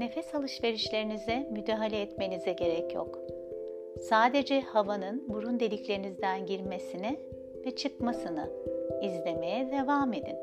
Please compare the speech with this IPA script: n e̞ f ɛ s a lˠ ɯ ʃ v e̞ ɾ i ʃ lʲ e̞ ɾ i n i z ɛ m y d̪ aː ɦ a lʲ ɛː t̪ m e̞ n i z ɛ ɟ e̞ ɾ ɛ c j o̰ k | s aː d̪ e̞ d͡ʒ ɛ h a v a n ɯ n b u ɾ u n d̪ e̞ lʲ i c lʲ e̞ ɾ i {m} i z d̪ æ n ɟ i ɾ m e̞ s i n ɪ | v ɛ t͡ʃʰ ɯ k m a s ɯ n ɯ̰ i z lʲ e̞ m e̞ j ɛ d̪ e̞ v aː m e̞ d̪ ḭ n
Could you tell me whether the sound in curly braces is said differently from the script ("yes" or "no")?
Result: yes